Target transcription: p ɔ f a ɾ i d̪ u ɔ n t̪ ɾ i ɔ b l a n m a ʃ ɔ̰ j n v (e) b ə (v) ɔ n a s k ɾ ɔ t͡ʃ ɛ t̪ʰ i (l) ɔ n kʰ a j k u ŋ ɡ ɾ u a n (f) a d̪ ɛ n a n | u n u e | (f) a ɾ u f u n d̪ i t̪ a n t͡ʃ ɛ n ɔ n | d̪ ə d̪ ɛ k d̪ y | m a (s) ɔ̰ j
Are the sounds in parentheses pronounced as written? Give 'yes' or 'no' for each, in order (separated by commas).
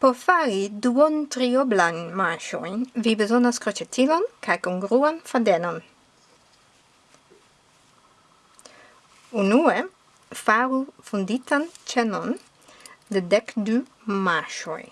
no, no, yes, yes, yes, no